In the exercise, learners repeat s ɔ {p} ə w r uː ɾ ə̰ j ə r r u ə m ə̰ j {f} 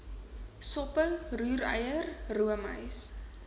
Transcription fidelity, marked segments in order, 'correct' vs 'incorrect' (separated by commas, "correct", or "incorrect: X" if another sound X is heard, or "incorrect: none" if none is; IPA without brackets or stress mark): correct, incorrect: s